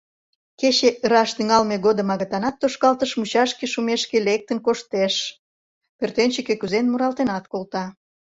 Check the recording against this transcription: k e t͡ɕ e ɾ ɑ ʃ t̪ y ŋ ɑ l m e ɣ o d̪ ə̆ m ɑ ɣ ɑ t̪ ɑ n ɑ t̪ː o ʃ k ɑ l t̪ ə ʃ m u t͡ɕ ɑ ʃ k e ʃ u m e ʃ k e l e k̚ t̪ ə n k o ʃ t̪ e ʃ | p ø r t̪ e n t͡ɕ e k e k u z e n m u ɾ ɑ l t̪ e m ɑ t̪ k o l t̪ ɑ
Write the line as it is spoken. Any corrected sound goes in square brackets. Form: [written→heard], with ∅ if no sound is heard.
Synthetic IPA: k e t͡ɕ e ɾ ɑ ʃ t̪ y ŋ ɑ l m e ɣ o d̪ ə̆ m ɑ ɣ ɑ t̪ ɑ n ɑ t̪ː o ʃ k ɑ l t̪ ə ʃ m u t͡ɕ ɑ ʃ k e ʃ u m e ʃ k e l e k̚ t̪ ə n k o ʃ t̪ e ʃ | p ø r t̪ e n t͡ɕ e k e k u z e n m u ɾ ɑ l t̪ e [m→n] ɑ t̪ k o l t̪ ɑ